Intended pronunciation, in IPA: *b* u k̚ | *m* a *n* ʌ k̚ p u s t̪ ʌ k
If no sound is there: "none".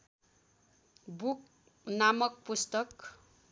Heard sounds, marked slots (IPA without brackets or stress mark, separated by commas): b, n, m